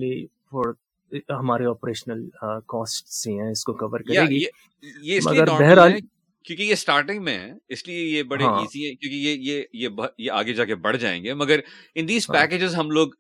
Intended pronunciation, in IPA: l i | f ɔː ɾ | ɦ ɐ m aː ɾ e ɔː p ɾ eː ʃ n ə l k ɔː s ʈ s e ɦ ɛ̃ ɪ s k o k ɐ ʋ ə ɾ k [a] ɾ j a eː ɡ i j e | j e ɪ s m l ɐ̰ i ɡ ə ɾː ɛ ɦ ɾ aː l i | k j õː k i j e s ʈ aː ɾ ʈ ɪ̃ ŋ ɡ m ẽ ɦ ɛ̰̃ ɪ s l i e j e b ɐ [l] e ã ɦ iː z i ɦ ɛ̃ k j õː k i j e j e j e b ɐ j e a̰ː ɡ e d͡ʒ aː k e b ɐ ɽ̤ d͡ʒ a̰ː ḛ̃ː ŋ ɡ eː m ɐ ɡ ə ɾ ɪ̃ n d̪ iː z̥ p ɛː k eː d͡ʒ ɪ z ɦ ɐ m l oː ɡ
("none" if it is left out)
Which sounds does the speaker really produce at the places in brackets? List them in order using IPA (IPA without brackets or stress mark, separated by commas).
ɐ, ɽ